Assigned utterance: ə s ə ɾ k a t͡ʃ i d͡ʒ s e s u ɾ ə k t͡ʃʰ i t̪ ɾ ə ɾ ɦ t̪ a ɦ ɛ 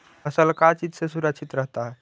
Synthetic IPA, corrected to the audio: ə s ə l k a t͡ʃ i d͡ʒ s e s u ɾ ə k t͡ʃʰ i t̪ ɾ ə ɦ t̪ a ɦ ɛ